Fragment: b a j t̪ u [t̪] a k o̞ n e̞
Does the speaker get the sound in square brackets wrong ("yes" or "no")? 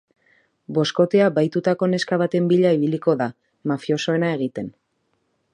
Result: no